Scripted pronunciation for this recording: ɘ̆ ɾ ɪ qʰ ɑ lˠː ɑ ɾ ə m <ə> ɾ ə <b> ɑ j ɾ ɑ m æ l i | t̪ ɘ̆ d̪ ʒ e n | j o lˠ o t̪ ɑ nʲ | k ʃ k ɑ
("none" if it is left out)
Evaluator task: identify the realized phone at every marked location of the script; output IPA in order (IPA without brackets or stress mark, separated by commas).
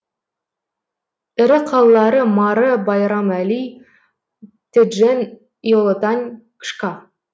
ɑ, b